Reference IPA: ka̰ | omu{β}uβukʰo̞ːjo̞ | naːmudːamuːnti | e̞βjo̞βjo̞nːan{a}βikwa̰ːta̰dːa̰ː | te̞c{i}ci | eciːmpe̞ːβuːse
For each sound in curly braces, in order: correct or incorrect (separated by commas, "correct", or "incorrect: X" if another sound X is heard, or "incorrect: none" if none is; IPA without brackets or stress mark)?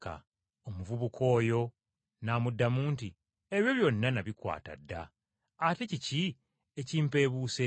incorrect: v, correct, correct